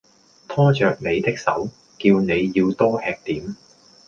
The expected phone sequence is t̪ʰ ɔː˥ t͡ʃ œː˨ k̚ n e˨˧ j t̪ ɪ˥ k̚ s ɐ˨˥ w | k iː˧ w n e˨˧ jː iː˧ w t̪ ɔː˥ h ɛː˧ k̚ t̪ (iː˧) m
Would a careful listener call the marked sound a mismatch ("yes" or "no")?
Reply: yes